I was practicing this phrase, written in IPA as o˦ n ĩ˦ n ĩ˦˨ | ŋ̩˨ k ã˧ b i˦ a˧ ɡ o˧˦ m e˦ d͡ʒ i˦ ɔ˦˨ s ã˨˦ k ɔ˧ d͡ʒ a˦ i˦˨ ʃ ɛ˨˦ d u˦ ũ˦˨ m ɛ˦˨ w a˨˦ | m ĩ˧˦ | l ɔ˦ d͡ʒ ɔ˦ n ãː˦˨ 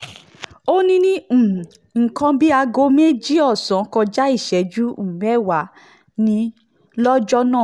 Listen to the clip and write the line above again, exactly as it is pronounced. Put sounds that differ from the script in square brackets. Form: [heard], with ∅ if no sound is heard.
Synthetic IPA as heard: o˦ n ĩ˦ n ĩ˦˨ | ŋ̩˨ k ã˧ b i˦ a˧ ɡ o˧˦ m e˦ d͡ʒ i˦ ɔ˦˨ s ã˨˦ k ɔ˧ d͡ʒ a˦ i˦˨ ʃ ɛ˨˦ [d͡ʒ] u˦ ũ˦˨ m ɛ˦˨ w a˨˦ | [n] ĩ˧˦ | l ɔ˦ d͡ʒ ɔ˦ n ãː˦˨

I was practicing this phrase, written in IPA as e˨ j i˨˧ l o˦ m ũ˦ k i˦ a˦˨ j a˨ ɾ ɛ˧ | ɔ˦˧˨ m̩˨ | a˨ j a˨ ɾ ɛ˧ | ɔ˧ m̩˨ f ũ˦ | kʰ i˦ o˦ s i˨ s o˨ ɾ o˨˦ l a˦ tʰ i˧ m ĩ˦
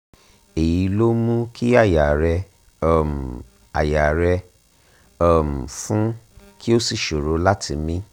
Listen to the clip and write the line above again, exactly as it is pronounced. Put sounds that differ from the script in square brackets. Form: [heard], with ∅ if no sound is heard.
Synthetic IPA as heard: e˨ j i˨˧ l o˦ m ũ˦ k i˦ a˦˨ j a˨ ɾ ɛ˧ | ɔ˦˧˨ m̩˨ | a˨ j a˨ ɾ ɛ˧ | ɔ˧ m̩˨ f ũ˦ | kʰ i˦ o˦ s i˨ [ʃ] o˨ ɾ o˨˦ l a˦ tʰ i˧ m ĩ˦

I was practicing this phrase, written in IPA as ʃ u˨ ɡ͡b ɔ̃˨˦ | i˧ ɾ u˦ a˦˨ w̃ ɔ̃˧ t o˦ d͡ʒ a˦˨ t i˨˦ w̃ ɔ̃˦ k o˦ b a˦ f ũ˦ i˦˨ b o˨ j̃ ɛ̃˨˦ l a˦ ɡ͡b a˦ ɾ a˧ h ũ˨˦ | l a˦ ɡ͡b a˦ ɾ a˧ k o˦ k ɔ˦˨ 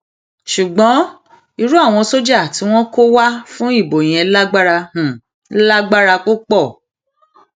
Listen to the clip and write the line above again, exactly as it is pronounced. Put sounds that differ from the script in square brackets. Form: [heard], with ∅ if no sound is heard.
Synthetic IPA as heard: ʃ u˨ ɡ͡b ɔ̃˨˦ | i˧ ɾ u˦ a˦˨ w̃ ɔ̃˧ [s] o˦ d͡ʒ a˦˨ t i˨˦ w̃ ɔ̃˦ k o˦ [w] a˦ f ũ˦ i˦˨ b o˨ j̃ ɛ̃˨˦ l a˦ ɡ͡b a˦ ɾ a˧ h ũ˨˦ | l a˦ ɡ͡b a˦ ɾ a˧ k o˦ [k͡p] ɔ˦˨

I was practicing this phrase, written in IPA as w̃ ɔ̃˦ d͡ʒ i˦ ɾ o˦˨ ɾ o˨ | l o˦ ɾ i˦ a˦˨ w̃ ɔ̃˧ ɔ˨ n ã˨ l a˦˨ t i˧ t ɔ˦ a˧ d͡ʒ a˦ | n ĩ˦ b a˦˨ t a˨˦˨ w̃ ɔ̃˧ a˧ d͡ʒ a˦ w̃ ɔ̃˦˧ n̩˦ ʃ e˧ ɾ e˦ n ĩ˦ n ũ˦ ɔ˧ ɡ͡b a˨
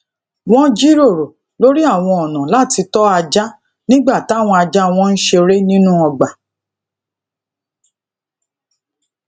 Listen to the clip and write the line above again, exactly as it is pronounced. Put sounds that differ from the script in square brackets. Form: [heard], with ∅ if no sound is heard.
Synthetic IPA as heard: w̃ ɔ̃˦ d͡ʒ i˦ ɾ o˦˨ ɾ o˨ | l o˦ ɾ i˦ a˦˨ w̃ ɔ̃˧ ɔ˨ n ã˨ l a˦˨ t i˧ t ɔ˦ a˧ d͡ʒ a˦ | n ĩ˦ [ɡ͡b] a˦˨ t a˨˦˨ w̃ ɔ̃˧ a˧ d͡ʒ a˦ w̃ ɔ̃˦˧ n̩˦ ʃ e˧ ɾ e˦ n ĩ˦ n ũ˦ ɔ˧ ɡ͡b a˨

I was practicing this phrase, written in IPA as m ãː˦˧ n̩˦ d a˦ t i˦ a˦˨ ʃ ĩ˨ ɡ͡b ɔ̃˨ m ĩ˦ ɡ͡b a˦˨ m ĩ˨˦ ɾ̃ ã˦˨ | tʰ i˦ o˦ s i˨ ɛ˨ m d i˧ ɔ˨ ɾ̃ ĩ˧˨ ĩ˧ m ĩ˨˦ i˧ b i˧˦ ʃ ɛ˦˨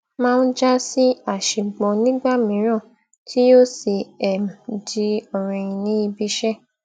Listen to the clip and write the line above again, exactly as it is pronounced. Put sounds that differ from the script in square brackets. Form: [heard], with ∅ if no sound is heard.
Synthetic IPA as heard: m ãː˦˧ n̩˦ [d͡ʒ] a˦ [s] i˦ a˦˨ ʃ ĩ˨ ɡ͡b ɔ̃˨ [n] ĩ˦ ɡ͡b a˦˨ m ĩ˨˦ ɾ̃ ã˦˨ | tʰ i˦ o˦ s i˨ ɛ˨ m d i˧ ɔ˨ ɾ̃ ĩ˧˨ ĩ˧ [n] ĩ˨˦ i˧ b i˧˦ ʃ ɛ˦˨

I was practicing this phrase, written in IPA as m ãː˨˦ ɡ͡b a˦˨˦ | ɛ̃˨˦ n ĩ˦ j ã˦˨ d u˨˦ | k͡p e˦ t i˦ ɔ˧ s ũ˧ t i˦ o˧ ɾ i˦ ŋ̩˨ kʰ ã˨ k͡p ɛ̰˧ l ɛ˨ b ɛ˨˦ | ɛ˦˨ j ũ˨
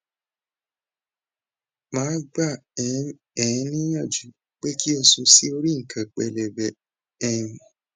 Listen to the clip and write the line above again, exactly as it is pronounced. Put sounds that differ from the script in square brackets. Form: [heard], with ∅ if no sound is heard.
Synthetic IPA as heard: m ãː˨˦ ɡ͡b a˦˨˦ | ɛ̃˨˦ n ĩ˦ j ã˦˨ [d͡ʒ] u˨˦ | k͡p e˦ [k] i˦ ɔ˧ s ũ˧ [s] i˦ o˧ ɾ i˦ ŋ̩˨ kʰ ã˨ k͡p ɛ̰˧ l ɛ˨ b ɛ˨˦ | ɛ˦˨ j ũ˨

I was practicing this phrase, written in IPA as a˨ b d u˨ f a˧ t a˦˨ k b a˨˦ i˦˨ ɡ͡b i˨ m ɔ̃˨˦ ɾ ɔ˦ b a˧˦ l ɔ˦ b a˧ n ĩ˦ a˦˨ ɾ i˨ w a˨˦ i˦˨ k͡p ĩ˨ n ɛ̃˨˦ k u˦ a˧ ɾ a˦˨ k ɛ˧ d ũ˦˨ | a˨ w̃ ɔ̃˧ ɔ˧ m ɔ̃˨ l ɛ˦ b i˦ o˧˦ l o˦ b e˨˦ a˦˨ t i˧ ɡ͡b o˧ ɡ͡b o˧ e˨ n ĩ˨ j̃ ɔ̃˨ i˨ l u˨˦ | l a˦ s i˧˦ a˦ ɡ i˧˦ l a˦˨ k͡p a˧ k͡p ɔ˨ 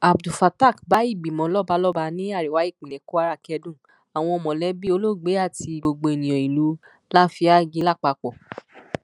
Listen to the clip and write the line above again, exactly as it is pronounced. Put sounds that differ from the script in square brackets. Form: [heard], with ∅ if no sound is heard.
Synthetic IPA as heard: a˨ b d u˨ f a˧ t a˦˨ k b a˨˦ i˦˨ ɡ͡b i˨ m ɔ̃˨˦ [l] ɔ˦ b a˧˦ l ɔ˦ b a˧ n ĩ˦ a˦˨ ɾ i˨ w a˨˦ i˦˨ k͡p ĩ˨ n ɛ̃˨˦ k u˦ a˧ ɾ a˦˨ k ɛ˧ d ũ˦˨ | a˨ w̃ ɔ̃˧ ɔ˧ m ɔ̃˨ l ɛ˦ b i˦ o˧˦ l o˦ [ɡ͡b] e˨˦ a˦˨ t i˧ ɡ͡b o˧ ɡ͡b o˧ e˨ n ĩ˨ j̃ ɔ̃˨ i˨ l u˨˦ | l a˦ [f] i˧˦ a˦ ɡ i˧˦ l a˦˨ k͡p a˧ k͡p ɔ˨

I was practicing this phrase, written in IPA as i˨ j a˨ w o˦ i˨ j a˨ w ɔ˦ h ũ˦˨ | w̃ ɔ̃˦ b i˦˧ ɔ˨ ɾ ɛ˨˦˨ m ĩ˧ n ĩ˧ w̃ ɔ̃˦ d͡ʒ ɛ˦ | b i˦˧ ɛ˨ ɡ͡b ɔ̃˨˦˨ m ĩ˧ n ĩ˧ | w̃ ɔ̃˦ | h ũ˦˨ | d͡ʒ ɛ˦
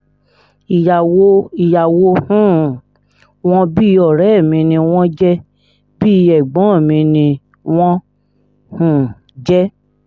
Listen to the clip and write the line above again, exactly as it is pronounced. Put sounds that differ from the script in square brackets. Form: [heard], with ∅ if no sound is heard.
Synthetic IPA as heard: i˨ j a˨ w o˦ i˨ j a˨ w [o˦] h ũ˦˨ | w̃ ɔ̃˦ b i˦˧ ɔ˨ ɾ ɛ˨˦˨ m ĩ˧ n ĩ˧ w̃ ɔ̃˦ d͡ʒ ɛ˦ | b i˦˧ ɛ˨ ɡ͡b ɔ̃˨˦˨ m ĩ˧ n ĩ˧ | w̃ ɔ̃˦ | h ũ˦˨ | d͡ʒ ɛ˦

